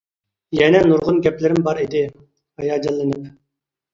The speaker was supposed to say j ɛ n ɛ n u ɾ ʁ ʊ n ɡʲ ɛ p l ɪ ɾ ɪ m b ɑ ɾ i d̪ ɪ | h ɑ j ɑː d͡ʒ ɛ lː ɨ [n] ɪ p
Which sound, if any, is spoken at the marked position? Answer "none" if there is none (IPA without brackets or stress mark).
n